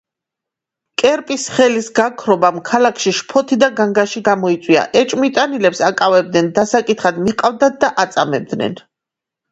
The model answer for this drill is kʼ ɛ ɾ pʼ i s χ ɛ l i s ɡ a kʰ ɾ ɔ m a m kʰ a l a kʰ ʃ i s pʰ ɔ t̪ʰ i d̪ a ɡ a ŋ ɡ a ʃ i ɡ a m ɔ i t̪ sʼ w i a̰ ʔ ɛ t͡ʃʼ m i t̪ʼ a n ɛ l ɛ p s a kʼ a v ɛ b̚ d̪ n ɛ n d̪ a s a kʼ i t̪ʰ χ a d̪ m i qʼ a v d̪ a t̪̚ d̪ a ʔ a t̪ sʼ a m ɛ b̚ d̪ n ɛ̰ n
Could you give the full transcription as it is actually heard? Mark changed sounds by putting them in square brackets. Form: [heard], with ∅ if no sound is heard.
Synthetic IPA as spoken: kʼ ɛ ɾ pʼ i s χ ɛ l i s ɡ a kʰ ɾ ɔ [b] a m kʰ a l a kʰ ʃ i [ʃ] pʰ ɔ t̪ʰ i d̪ a ɡ a ŋ ɡ a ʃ i ɡ a m ɔ i t̪ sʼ w i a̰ ʔ ɛ t͡ʃʼ m i t̪ʼ a n [i] l ɛ p s a kʼ a v ɛ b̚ d̪ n ɛ n d̪ a s a kʼ i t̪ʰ χ a d̪ m i qʼ a v d̪ a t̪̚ d̪ a ʔ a t̪ sʼ a m ɛ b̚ d̪ n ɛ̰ n